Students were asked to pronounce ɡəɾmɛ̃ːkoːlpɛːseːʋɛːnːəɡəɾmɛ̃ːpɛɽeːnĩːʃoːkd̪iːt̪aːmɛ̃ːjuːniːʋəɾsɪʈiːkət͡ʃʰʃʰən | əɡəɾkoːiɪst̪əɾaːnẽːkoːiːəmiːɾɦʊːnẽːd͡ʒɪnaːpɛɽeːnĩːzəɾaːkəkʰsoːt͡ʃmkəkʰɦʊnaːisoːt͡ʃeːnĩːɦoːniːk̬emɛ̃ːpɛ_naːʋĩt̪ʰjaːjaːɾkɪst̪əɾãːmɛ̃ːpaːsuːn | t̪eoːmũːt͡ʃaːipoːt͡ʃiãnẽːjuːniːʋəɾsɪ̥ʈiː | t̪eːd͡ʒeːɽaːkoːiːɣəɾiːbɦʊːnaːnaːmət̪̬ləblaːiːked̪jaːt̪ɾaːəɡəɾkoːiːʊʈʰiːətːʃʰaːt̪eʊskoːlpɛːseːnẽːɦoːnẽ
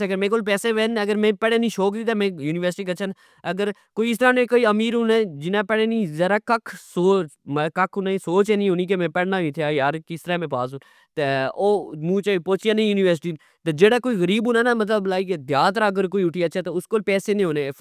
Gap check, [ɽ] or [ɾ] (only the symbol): ɽ